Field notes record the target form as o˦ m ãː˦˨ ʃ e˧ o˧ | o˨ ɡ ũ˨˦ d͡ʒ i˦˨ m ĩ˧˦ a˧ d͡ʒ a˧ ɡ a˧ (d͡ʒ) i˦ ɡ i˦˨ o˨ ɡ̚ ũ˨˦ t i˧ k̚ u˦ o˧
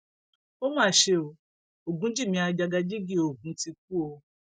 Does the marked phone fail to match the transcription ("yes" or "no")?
no